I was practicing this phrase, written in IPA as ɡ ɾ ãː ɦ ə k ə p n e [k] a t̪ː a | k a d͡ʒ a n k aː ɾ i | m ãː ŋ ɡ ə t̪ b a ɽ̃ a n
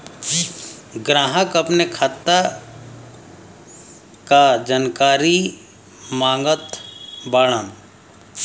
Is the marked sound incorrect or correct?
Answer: incorrect